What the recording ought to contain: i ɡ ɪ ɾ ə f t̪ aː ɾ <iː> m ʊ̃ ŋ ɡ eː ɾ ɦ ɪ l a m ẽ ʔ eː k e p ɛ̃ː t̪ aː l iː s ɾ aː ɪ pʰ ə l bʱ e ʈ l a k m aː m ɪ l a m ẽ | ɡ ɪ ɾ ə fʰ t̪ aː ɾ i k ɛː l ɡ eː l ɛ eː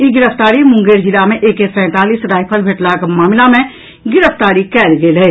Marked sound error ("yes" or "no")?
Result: yes